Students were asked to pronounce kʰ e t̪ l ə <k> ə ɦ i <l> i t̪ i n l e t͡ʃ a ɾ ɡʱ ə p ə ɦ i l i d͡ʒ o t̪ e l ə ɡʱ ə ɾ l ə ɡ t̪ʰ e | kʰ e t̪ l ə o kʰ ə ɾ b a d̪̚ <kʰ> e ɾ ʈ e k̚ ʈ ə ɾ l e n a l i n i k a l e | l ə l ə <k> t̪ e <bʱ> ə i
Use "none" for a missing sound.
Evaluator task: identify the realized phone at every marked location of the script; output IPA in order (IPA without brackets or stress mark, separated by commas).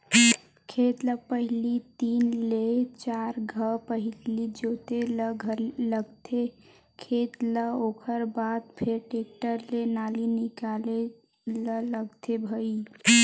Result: p, l, pʰ, ɡ, bʱ